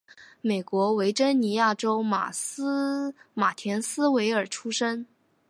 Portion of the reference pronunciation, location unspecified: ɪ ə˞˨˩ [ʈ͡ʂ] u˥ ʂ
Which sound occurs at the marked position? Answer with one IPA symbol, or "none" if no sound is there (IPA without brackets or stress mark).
ʈ͡ʂʰ